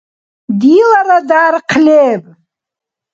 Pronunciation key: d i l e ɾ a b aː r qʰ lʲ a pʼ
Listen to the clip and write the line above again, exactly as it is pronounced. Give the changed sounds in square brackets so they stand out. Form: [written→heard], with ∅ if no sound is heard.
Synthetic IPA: d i l [e→a] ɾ a [b→d] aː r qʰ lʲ [a→e] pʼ